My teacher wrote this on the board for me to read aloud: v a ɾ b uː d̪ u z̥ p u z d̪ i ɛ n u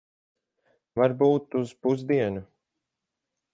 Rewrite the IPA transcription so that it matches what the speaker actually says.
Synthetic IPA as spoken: v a ɾ b uː t̪ u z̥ p u z d̪ i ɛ n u